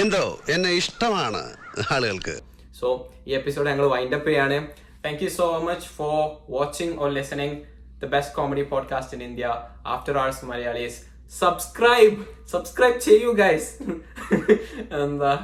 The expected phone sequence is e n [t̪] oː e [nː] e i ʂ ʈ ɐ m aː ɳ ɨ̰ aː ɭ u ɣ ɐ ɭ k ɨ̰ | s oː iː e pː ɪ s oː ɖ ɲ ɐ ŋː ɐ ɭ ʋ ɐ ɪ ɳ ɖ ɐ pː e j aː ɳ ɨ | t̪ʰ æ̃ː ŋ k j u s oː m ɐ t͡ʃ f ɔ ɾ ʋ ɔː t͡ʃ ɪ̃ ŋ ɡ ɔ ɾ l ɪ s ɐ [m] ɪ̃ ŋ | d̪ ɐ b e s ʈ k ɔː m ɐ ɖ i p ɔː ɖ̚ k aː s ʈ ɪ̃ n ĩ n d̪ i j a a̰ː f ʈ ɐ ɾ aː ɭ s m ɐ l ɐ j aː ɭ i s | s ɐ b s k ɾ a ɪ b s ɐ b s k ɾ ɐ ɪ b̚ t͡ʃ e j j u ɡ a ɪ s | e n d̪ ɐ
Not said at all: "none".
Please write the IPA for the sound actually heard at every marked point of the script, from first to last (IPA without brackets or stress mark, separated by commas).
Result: d̪, nː, n